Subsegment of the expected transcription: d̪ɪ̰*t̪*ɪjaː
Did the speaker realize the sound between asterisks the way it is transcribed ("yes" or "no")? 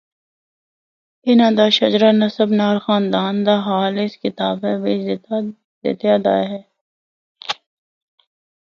yes